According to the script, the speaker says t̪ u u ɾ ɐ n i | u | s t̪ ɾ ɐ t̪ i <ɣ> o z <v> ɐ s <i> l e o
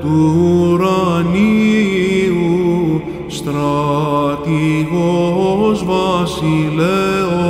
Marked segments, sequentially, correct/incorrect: correct, correct, correct

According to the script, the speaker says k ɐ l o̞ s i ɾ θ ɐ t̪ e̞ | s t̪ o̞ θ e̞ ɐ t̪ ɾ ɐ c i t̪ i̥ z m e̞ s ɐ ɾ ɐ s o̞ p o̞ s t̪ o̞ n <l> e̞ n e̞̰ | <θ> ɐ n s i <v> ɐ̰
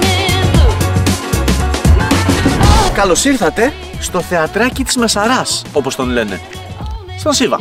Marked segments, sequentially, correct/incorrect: correct, incorrect, correct

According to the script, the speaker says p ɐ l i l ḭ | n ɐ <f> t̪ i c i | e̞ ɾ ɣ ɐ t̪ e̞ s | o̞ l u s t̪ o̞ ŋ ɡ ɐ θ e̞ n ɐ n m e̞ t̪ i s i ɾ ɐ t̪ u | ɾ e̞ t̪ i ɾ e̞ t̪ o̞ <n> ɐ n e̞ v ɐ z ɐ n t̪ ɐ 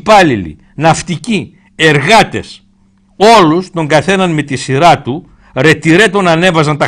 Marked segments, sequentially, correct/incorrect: correct, correct

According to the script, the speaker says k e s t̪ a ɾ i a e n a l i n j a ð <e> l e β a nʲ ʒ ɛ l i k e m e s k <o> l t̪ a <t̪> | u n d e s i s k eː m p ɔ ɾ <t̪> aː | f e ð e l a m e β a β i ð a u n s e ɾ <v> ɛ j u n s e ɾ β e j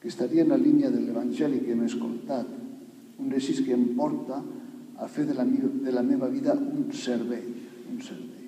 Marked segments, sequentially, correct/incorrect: correct, correct, correct, correct, incorrect

